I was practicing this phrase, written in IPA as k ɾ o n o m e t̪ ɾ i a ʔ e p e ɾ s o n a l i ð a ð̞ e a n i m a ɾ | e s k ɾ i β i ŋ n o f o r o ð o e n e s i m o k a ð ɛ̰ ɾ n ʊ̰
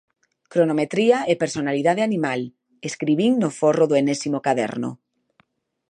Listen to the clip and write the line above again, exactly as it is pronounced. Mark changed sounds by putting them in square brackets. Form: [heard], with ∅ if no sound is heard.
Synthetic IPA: k ɾ o n o m e t̪ ɾ i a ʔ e p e ɾ s o n a l i ð a ð̞ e a n i m a [l] | e s k ɾ i β i ŋ n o f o r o ð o e n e s i m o k a ð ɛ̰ ɾ n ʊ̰